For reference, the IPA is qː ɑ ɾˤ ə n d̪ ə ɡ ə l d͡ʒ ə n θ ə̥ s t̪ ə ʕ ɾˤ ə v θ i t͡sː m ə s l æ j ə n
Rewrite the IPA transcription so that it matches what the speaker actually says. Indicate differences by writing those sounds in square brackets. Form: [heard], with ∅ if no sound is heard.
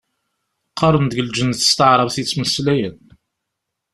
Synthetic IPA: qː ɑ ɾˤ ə n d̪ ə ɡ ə l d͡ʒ ə n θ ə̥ s t̪ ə ʕ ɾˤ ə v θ i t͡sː m ə s l æ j ə n